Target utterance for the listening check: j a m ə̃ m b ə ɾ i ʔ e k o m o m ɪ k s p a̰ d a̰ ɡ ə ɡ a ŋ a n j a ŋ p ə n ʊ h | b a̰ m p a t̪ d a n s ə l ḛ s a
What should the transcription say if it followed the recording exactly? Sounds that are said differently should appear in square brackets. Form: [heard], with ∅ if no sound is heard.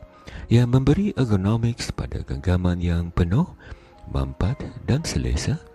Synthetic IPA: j a m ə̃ m b ə ɾ i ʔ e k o [n] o m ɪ k s p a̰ d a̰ ɡ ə ɡ a [m] a n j a ŋ p ə n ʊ h | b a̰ m p a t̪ d a n s ə l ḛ s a